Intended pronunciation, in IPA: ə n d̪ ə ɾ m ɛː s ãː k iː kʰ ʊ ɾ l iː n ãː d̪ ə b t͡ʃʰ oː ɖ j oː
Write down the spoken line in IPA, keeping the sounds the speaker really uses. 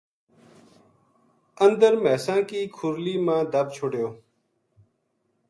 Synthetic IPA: ə n d̪ ə ɾ m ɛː s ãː k iː kʰ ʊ ɾ l iː m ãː d̪ ə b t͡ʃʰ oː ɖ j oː